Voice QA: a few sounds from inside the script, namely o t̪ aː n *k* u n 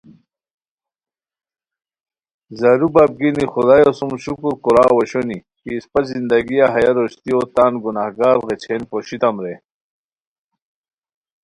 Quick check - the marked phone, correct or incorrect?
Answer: incorrect: ɡ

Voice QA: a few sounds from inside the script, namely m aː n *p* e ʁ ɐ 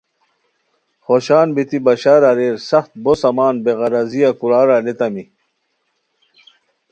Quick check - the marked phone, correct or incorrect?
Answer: incorrect: b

